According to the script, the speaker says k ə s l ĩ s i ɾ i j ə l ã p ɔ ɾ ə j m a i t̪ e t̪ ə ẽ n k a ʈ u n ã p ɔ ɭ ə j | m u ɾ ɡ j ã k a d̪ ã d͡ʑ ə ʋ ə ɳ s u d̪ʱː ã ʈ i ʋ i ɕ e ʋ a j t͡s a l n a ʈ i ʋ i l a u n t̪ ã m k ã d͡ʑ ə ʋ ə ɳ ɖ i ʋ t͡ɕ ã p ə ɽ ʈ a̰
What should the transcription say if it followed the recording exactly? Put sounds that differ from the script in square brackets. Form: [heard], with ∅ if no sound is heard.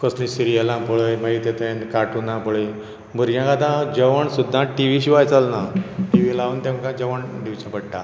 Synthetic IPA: k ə s l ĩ s i ɾ i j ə l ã p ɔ [ɭ] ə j m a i t̪ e t̪ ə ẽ n k a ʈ u n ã p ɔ ɭ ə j | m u ɾ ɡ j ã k a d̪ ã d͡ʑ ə ʋ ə ɳ s u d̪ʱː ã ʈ i ʋ i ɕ [i] ʋ a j t͡s a l n a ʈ i ʋ i l a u n t̪ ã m k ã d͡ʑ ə ʋ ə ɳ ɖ i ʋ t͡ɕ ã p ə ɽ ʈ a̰